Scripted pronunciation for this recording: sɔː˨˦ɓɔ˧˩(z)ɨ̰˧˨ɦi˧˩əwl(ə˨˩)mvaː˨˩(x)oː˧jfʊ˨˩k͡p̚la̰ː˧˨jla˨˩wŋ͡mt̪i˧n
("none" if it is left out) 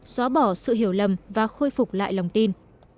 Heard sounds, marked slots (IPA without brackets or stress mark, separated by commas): s, ə˨˩, x